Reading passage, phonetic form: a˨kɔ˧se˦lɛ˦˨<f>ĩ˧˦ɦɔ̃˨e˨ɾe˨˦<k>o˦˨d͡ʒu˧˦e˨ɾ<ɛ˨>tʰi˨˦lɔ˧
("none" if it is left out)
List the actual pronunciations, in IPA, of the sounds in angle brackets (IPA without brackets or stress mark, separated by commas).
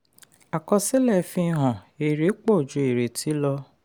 f, k͡p, e˨